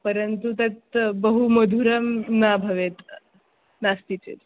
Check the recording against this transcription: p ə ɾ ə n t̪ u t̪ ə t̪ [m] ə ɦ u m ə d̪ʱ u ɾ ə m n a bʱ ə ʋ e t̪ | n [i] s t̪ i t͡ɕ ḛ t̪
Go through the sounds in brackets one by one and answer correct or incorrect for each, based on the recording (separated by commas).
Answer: incorrect, incorrect